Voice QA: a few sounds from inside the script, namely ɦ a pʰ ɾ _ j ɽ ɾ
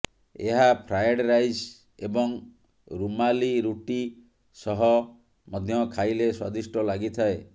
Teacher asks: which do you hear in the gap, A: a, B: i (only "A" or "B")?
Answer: A